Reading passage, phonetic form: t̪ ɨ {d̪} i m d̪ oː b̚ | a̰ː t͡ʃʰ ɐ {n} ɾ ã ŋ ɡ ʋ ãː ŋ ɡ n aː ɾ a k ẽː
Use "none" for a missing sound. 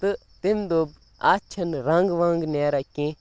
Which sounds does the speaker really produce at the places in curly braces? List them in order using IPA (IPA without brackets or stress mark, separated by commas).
t̪, n